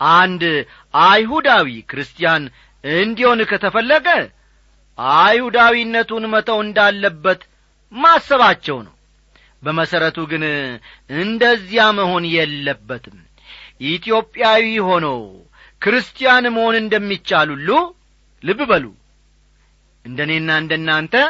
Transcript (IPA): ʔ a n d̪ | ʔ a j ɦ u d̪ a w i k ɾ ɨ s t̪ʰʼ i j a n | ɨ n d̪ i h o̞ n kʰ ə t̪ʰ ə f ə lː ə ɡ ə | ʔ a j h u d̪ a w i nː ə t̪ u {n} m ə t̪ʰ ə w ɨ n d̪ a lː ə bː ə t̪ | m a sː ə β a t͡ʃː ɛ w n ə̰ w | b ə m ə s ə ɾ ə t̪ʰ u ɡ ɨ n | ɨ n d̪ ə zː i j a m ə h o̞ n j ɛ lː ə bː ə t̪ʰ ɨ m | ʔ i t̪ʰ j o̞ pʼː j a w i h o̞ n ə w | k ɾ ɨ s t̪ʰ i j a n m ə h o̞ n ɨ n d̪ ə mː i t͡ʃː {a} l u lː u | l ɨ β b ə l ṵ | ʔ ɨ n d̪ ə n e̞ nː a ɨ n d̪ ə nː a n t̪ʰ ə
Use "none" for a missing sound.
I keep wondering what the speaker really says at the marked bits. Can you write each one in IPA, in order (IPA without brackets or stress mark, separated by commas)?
n, a